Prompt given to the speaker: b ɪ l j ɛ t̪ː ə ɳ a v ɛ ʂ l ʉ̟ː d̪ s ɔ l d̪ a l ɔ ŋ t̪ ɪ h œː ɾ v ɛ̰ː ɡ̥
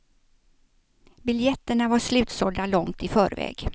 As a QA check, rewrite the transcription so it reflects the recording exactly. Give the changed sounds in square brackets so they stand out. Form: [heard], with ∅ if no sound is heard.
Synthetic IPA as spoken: b ɪ l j ɛ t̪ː ə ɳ a v [a] ʂ l ʉ̟ː [t̪] s ɔ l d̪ a l ɔ ŋ t̪ ɪ [f] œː ɾ v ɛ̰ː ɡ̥